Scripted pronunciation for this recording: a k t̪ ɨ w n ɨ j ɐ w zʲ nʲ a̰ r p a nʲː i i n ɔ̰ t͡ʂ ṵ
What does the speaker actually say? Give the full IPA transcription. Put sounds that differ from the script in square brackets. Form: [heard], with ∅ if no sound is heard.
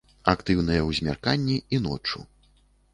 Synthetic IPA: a k t̪ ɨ w n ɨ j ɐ w zʲ [mʲ] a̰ r [k] a nʲː i i n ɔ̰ t͡ʂ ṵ